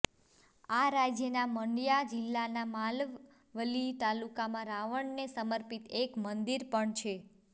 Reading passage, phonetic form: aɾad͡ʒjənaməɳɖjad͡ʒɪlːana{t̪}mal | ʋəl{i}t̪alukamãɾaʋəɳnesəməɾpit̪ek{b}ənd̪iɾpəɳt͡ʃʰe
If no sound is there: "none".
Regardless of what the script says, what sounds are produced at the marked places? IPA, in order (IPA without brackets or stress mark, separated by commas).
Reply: none, i, m